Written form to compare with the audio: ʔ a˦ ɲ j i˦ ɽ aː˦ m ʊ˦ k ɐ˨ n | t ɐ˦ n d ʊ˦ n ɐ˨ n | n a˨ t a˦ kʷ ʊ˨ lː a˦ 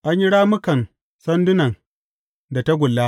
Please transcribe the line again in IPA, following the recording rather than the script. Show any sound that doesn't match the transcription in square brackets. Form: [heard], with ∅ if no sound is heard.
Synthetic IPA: ʔ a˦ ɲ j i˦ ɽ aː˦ m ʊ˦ k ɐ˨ n | [s] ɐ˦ n d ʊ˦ n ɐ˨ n | [d] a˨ t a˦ [ɡʷ] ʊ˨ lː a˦